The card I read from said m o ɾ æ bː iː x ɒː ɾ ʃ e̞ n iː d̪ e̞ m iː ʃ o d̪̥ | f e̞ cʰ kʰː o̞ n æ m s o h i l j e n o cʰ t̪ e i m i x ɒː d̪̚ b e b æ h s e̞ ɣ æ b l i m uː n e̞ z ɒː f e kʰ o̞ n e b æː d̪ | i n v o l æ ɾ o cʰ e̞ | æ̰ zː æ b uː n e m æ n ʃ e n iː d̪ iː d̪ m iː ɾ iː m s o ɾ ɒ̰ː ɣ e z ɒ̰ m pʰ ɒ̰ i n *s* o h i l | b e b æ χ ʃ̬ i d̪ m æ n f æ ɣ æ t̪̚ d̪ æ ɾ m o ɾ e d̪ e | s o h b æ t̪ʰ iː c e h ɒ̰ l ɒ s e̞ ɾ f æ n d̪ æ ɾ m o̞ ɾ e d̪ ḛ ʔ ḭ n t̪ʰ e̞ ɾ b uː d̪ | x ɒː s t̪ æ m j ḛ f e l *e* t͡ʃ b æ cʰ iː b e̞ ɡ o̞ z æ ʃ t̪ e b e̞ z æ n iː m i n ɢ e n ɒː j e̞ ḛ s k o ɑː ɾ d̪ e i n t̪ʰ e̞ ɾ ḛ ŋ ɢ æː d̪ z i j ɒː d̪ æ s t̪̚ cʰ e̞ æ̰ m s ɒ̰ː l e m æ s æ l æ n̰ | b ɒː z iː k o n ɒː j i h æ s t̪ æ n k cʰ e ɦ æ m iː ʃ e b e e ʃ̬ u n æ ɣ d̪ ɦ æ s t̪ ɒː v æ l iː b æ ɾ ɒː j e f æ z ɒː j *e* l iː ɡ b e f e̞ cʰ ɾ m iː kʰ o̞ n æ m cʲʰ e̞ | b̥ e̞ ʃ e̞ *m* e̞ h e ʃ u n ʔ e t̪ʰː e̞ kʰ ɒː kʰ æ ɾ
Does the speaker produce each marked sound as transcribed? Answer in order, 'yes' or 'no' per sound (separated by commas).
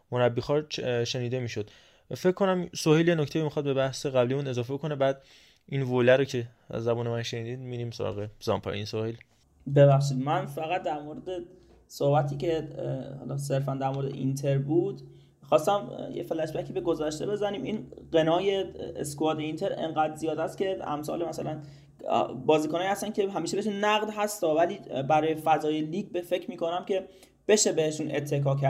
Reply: yes, no, yes, no